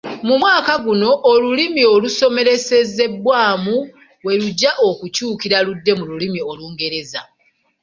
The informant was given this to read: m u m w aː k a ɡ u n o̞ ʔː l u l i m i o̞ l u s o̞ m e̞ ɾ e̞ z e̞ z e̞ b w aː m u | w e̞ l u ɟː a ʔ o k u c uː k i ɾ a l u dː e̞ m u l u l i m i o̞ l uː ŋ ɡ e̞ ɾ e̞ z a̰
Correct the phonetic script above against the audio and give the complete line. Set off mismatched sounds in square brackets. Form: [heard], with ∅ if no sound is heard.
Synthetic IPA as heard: m u m w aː k a ɡ u n o̞ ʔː l u l i m i o̞ l u s o̞ m e̞ ɾ e̞ [s] e̞ z e̞ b w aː m u | w e̞ l u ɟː a ʔ o k u c uː k i ɾ a l u dː e̞ m u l u l i m i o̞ l uː ŋ ɡ e̞ ɾ e̞ z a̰